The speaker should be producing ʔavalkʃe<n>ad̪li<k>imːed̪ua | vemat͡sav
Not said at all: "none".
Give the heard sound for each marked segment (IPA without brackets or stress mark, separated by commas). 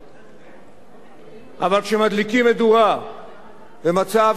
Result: m, k